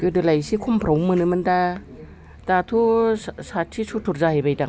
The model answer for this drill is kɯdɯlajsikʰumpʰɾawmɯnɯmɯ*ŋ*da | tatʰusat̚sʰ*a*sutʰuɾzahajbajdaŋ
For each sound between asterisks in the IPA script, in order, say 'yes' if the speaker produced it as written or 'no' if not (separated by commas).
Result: no, no